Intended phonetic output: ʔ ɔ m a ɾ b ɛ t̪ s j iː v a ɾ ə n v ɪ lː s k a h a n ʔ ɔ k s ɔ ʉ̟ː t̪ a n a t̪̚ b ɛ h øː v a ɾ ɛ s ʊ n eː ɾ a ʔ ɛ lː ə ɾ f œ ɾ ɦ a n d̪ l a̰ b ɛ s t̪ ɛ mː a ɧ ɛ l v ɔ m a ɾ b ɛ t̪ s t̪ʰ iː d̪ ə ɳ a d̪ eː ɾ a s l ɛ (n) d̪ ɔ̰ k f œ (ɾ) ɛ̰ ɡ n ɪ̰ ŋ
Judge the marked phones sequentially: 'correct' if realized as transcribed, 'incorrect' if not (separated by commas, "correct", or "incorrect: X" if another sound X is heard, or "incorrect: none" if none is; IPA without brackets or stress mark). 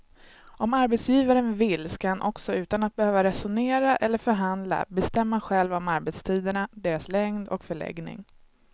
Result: incorrect: ŋ, incorrect: ɭ